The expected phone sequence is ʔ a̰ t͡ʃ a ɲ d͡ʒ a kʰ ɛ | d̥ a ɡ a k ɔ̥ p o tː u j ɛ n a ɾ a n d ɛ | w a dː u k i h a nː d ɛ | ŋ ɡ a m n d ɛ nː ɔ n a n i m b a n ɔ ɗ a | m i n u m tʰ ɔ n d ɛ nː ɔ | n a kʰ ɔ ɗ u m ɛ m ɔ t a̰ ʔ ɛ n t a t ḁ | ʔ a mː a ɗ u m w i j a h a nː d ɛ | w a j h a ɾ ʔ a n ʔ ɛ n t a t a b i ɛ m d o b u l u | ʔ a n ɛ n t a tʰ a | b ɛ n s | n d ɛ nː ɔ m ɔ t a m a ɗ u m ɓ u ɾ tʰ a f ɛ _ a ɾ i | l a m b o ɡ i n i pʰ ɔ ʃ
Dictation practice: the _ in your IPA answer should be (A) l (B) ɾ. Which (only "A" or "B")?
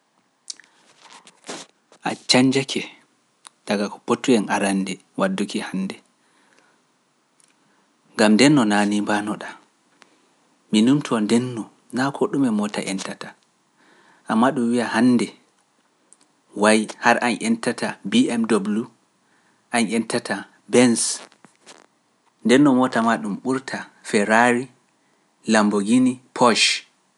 B